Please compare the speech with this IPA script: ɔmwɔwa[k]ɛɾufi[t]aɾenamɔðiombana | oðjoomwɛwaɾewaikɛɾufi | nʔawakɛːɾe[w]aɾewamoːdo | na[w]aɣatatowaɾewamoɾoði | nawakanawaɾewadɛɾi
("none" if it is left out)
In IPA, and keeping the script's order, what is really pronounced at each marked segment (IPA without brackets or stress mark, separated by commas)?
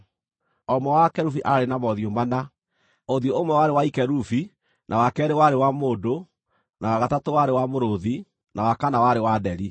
k, ʔ, w, w